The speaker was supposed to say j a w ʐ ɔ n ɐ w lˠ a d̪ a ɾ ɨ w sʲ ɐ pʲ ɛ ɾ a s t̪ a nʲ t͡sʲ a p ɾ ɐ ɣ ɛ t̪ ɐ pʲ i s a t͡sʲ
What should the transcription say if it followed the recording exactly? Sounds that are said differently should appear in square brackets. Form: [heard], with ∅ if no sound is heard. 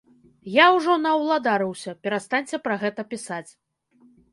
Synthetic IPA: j a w ʐ ɔ n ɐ w lˠ a d̪ a ɾ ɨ w sʲ ɐ pʲ ɛ ɾ a s t̪ a nʲ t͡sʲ [ɛ] p ɾ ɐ ɣ ɛ t̪ ɐ pʲ i s a t͡sʲ